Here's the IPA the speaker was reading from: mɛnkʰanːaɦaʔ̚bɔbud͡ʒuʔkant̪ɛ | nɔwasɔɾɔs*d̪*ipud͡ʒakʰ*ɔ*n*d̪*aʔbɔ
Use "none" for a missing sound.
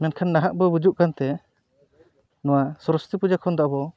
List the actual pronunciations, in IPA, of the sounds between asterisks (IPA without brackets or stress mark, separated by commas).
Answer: t̪, ɔ, d̪